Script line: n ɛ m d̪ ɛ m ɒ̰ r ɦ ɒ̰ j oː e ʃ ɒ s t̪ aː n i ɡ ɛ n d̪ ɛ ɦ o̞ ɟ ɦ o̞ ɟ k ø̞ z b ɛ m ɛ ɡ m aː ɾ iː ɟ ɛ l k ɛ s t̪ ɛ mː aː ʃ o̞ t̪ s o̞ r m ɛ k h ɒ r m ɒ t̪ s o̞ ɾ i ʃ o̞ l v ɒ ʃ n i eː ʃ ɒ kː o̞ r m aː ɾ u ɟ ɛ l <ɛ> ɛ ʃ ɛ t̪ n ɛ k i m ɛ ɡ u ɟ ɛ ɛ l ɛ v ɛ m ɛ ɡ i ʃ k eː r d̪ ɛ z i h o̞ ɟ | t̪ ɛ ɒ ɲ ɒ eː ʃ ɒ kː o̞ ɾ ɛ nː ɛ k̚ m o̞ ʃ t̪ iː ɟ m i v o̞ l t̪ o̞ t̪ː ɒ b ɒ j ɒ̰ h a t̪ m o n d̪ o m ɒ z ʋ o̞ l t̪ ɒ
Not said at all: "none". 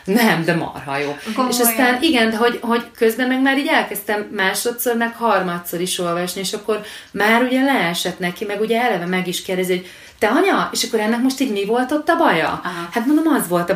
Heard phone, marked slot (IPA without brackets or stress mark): ɛ